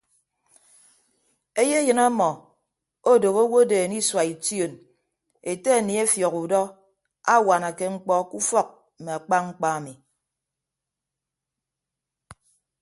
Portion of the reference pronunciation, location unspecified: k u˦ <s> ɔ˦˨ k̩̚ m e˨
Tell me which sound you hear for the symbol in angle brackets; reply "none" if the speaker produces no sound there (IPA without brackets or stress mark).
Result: f